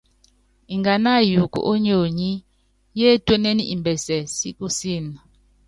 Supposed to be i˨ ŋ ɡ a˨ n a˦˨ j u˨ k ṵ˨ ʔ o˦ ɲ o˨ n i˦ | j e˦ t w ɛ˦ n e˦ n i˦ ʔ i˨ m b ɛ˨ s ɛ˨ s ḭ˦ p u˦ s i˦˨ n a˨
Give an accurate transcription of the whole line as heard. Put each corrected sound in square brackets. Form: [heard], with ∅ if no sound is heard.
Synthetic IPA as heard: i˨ ŋ ɡ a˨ n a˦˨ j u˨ k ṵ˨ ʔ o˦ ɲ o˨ [ɲ] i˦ | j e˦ t w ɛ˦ n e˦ n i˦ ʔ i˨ m b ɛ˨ s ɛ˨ s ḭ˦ [k] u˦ s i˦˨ n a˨

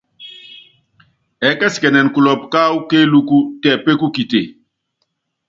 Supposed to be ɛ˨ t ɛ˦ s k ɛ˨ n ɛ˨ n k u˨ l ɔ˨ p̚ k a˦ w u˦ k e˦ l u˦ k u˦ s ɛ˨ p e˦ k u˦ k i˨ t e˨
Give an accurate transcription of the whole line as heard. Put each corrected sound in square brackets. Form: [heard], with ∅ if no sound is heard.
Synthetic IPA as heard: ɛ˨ [k] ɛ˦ s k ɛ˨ n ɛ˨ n k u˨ l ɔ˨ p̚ k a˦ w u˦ k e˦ l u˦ k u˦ [t] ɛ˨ p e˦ k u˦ k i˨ t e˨

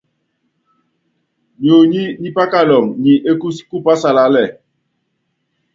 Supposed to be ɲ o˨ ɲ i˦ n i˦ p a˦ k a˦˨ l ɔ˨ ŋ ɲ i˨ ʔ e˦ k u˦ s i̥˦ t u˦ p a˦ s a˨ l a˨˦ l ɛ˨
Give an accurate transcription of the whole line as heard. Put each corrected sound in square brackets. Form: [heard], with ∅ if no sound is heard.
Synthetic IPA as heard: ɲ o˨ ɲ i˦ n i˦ p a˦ k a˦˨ l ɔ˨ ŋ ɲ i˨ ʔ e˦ k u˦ s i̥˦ [k] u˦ p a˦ s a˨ l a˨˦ l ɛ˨

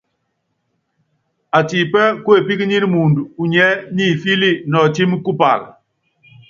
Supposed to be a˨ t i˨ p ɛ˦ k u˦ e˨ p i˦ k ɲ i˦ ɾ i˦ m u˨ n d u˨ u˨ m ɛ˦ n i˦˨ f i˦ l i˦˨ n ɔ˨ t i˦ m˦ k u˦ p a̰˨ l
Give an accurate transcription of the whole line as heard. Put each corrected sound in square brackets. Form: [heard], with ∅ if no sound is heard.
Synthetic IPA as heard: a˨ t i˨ p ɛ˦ k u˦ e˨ p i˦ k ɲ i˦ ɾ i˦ m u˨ n d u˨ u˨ [ɲ] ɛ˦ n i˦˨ f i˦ l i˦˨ n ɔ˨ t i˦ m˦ k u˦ p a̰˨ l

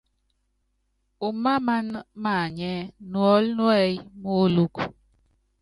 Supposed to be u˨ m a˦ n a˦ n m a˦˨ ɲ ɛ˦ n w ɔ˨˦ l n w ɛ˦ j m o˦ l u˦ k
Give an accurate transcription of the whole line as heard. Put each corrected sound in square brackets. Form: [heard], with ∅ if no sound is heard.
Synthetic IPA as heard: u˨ m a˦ [m] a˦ n m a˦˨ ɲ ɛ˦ n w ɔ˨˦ l n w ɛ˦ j m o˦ l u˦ k

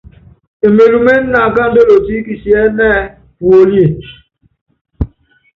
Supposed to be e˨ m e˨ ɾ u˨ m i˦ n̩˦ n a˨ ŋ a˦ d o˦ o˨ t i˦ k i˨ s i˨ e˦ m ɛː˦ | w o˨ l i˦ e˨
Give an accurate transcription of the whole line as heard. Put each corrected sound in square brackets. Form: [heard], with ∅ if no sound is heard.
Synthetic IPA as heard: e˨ m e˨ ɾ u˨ m [e˦] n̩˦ n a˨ [ɡ] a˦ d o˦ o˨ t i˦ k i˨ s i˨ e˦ [n] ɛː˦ | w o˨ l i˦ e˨

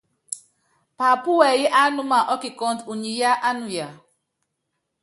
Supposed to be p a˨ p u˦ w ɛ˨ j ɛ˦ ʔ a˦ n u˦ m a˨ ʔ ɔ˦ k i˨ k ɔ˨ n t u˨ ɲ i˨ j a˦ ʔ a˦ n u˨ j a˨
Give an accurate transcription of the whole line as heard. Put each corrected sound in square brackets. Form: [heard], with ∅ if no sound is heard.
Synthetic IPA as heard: p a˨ p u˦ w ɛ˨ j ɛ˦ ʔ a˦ n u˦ m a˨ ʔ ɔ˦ k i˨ k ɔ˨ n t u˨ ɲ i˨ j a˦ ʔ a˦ n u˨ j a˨

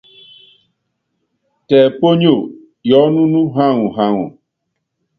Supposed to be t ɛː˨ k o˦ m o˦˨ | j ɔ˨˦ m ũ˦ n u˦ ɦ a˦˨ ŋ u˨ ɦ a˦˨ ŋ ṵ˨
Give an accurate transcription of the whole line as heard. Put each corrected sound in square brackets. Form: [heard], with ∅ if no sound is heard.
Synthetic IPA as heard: t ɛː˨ [p] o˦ [ɲ] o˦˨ | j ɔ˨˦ [n] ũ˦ n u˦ ɦ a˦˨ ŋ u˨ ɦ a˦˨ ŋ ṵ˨

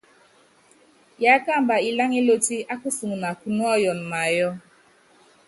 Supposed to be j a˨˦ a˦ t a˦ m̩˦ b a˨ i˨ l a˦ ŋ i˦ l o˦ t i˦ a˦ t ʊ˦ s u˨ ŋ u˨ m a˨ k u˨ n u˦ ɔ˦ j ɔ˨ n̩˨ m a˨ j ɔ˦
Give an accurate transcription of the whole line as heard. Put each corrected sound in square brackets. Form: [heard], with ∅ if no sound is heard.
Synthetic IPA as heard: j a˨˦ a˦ [k] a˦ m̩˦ b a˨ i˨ l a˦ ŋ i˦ l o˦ t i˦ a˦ [k] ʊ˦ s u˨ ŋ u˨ [n] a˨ k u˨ n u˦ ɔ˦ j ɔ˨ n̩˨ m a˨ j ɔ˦

